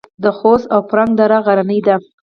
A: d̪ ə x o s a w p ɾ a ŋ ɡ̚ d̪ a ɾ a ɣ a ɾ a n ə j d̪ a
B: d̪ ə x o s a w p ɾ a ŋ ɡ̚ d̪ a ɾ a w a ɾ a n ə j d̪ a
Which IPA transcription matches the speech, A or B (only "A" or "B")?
A